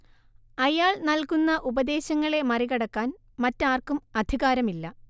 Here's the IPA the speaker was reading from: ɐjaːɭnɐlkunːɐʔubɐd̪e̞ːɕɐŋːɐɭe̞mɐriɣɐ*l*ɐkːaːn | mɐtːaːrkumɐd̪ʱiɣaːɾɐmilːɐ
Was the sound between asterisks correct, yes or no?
no